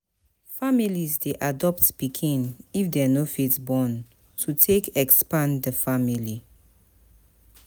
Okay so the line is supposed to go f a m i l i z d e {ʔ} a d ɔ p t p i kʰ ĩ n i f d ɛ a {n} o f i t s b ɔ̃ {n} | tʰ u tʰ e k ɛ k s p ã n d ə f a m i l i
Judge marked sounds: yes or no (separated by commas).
yes, yes, yes